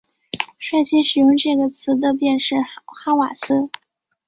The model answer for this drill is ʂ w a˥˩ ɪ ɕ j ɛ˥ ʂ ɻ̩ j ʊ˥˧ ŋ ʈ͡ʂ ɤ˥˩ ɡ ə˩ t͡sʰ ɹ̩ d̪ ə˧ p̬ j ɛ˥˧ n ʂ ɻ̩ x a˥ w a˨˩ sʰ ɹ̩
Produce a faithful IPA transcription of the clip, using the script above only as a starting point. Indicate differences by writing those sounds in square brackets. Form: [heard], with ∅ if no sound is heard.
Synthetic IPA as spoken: ʂ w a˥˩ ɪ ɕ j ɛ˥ ʂ ɻ̩ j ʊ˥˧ ŋ ʈ͡ʂ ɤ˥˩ ɡ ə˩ t͡sʰ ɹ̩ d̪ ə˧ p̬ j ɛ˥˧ n ʂ ɻ̩ x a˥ w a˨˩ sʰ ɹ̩